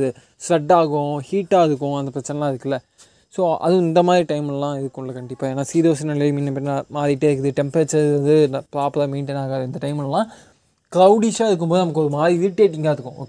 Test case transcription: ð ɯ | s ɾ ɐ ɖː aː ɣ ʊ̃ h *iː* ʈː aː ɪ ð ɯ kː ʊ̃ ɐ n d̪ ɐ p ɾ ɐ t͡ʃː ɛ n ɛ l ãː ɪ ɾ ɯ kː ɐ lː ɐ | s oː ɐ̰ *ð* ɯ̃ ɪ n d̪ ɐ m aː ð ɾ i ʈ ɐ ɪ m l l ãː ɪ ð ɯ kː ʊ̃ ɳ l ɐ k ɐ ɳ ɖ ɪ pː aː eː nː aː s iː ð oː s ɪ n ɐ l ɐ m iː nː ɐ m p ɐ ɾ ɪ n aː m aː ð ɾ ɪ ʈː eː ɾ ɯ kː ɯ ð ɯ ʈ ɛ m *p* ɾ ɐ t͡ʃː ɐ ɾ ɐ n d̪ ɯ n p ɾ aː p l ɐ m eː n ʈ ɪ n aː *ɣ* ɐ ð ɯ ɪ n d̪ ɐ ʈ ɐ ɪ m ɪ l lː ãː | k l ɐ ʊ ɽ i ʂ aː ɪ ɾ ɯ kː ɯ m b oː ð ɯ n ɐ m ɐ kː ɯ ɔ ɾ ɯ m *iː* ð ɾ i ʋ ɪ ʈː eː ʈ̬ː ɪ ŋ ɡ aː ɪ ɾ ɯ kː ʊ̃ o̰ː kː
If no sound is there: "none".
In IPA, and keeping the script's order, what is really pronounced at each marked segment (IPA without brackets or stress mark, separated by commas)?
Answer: iː, ð, p, ɣ, aː